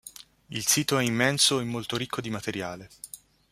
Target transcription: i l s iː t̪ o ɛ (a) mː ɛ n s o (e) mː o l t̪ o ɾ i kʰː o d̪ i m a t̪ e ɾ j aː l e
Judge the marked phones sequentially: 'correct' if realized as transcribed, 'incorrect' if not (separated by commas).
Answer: incorrect, correct